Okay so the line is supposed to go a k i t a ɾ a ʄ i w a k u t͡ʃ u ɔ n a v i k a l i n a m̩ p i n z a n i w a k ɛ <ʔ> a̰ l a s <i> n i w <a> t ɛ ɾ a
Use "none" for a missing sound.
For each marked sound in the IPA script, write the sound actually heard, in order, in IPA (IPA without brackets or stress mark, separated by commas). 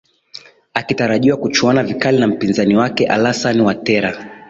ʔ, a, a